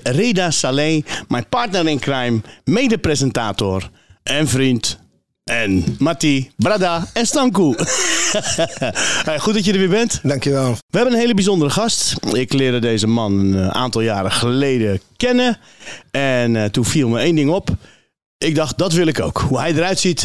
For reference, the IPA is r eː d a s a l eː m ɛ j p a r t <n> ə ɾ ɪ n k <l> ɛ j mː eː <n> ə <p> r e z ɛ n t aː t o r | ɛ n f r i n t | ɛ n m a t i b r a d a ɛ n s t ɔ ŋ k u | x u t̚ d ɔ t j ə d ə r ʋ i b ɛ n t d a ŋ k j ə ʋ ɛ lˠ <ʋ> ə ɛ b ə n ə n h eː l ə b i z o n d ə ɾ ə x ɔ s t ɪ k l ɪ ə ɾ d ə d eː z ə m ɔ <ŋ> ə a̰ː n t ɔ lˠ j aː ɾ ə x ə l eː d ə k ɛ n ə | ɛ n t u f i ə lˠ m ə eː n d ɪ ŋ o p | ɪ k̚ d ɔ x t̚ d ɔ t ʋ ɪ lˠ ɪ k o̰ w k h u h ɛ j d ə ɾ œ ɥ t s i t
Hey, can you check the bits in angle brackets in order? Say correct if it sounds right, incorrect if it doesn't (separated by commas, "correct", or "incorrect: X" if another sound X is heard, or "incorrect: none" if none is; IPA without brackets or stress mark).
correct, incorrect: r, incorrect: d, correct, correct, incorrect: n